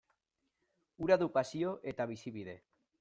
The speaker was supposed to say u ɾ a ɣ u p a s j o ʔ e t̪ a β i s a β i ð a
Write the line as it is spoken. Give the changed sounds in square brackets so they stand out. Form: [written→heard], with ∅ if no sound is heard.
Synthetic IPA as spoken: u ɾ a [ɣ→ð] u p a s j o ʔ e t̪ a β i s [a→i] β i ð [a→e]